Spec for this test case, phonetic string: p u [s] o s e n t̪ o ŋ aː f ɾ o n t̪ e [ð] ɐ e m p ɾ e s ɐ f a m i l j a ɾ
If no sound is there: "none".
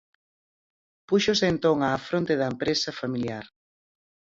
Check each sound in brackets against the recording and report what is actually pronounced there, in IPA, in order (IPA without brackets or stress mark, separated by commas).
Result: ʃ, ð